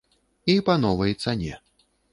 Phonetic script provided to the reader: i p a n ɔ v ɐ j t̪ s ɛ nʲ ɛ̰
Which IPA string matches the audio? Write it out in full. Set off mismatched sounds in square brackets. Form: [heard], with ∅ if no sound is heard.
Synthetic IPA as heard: i p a n ɔ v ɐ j t̪ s [a] nʲ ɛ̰